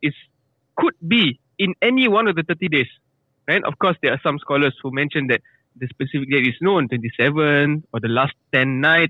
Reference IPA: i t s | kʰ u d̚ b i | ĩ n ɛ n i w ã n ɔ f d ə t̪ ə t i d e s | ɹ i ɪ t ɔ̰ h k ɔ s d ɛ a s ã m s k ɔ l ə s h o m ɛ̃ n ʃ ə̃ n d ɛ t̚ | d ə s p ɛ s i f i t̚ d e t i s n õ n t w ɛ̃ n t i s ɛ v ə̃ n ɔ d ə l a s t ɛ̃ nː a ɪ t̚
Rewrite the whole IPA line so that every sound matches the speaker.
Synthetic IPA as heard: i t s | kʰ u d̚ b i | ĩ n ɛ n i w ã n ɔ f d ə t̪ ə t i d e s | ɹ a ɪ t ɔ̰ f k ɔ s d ɛ a s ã m s k ɔ l ə s h u m ɛ̃ n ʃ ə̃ n d ɛ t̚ | d ə s p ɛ s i f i k̚ d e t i s n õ n t w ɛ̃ n t i s ɛ v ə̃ n ɔ d ə l a s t ɛ̃ nː a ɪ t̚